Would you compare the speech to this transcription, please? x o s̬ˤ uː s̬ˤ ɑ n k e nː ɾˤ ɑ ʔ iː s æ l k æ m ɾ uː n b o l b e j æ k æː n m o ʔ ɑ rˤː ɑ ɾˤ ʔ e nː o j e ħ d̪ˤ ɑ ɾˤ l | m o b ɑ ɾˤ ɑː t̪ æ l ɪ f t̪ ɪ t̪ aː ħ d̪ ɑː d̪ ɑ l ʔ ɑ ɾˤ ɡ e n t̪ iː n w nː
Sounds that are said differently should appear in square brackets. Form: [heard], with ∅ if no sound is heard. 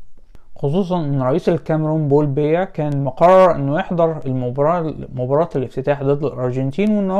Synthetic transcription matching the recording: x o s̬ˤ uː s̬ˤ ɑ n [ʔ] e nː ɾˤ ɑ ʔ iː s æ l k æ m ɾ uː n b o l b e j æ k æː n m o [q] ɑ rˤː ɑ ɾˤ ʔ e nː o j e ħ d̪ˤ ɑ ɾˤ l | m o b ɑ ɾˤ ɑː t̪ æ l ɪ f t̪ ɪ t̪ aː ħ d̪ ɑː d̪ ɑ l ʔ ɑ ɾˤ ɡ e n t̪ iː n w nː